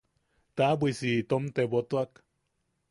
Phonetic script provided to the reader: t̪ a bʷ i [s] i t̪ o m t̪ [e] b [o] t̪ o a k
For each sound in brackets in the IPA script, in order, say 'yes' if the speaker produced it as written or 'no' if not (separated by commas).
yes, yes, yes